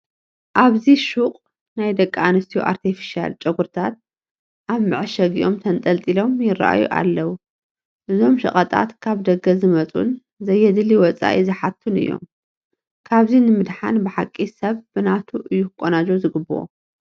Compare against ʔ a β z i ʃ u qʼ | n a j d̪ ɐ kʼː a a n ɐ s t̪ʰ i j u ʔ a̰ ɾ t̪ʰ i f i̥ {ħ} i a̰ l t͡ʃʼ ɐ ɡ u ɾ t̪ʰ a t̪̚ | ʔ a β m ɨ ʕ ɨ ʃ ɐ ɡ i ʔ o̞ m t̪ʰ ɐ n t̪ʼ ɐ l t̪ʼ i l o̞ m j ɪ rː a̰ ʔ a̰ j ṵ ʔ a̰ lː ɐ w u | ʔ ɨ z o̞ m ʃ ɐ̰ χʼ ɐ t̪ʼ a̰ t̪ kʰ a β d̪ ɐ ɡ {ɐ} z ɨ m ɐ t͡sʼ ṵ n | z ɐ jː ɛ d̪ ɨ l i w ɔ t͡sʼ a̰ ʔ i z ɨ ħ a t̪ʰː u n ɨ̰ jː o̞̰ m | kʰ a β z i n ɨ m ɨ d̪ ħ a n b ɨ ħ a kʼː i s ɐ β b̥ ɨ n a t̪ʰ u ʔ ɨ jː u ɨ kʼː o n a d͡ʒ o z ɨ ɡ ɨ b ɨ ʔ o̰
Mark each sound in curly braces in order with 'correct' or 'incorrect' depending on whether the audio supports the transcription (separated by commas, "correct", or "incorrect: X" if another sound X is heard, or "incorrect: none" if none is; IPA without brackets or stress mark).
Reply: incorrect: ʃ, correct